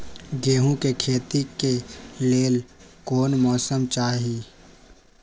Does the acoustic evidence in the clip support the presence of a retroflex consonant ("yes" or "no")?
no